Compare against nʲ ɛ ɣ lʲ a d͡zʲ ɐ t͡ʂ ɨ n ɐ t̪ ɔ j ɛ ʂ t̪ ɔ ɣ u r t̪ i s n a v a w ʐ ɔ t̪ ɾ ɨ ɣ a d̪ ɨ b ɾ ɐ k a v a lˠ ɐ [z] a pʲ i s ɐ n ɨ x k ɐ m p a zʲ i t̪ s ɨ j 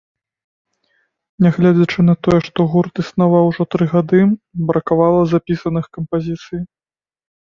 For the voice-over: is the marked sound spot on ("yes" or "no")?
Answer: yes